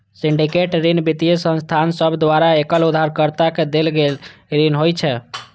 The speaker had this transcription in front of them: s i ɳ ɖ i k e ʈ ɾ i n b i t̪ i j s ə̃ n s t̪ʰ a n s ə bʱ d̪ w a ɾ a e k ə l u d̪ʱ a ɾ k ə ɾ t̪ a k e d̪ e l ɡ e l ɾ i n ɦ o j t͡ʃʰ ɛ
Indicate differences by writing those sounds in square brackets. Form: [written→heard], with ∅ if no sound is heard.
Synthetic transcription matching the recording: s i ɳ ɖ i k e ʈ ɾ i n b i t̪ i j s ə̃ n s t̪ʰ a n s ə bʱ d̪ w a ɾ a e k ə l u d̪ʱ a ɾ k ə ɾ t̪ a k e d̪ e l ɡ e l ɾ i n ɦ o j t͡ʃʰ ɛ